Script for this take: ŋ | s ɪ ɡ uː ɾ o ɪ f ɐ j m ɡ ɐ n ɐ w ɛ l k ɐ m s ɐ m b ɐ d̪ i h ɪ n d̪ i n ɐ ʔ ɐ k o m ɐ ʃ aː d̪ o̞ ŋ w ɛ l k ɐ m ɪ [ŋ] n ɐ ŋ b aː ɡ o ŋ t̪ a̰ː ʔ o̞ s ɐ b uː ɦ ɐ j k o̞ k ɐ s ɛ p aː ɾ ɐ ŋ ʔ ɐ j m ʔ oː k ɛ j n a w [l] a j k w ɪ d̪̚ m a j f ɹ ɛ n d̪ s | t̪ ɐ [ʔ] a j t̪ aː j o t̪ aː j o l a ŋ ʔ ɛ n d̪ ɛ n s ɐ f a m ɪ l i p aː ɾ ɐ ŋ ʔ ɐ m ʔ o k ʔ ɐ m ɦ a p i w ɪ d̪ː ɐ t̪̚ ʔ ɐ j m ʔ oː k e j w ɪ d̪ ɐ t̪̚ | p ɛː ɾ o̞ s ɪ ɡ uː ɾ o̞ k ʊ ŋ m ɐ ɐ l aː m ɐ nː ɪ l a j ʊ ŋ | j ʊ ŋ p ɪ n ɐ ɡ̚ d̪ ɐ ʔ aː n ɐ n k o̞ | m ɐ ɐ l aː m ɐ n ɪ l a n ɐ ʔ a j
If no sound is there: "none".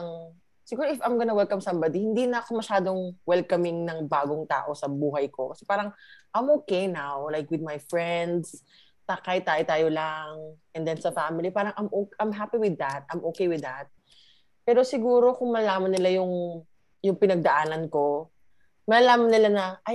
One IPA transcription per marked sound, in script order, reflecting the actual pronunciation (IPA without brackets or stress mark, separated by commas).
ŋ, l, k